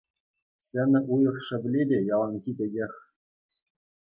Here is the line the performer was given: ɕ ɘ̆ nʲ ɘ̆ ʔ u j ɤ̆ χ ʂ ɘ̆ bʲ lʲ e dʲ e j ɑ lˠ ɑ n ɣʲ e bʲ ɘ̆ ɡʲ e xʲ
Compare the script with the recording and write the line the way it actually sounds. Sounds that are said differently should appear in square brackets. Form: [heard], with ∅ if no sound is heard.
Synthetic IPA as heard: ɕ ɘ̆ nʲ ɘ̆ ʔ u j ɤ̆ χ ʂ ɘ̆ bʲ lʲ e dʲ e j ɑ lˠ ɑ n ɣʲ [i] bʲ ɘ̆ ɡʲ e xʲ